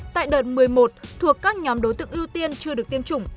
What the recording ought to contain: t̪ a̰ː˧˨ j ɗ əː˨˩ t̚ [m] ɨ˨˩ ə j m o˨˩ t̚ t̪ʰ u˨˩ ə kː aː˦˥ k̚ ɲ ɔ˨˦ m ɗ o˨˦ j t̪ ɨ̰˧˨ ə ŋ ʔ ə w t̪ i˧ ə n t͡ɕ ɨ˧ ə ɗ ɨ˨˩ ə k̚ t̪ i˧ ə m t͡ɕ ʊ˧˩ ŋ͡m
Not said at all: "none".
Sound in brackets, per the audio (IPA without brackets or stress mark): m